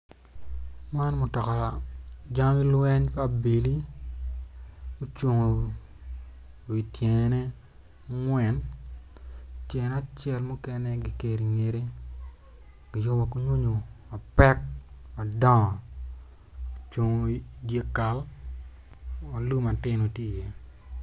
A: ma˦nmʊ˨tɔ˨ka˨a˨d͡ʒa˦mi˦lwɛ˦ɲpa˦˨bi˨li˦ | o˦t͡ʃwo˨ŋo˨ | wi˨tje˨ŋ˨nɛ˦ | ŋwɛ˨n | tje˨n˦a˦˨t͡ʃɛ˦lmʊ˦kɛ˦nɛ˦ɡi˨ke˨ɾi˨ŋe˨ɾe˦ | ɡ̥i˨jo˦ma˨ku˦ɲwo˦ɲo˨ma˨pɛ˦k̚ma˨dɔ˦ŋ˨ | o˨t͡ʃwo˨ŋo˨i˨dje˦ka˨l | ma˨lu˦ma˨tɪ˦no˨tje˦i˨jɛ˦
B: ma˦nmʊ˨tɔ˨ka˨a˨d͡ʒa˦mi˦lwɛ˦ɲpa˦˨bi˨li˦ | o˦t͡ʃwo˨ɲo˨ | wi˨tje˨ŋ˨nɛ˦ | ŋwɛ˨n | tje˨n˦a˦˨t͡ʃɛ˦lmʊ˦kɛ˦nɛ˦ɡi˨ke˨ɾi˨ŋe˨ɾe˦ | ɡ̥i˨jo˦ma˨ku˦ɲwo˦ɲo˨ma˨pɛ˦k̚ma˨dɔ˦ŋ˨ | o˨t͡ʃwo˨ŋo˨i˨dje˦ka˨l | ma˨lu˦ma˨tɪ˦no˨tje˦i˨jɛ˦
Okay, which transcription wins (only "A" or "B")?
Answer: A